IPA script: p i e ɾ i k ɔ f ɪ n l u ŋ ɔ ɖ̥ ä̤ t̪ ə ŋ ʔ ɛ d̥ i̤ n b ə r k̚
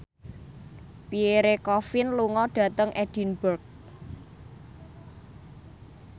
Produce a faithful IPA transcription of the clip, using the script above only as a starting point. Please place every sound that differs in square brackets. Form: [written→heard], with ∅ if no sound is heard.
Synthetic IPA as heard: p i e ɾ [i→e] k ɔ f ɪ n l u ŋ ɔ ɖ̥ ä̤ t̪ ə ŋ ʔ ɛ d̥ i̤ n b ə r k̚